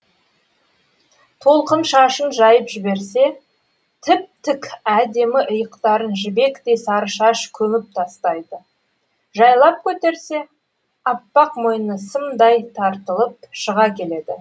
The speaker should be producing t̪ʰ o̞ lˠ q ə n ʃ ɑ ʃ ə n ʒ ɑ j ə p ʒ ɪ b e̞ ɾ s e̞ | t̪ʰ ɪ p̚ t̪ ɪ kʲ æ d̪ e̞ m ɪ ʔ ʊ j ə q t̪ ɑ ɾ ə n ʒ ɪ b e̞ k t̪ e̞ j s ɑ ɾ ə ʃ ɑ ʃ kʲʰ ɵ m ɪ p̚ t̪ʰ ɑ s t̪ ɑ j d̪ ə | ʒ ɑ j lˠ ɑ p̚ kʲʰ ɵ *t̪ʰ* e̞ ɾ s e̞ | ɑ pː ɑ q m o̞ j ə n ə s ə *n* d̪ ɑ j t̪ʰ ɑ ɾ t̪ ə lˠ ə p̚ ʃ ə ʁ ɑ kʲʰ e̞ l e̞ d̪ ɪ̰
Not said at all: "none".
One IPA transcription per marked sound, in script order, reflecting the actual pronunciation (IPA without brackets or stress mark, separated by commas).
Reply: t̪, m